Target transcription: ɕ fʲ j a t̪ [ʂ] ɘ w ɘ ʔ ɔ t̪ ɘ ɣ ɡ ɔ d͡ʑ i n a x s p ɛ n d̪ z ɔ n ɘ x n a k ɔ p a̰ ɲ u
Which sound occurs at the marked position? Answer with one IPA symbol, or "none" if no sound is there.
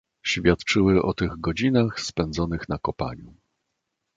t͡ʂ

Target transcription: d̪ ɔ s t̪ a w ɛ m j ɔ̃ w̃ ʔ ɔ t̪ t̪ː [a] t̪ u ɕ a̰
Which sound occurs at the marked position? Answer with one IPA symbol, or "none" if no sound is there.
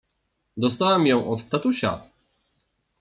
a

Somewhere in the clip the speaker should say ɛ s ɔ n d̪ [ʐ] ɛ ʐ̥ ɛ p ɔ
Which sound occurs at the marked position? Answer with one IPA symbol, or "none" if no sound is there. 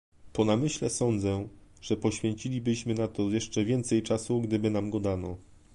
z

